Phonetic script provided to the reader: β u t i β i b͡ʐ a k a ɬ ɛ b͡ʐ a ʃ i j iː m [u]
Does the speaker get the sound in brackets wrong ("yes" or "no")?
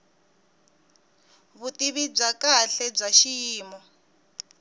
yes